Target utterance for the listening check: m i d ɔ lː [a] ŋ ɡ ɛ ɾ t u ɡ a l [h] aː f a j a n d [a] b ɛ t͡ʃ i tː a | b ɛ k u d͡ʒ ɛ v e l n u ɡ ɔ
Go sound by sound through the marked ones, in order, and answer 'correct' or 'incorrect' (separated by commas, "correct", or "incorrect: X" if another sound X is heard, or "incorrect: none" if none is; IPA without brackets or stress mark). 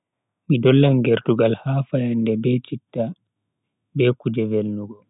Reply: correct, correct, incorrect: ɛ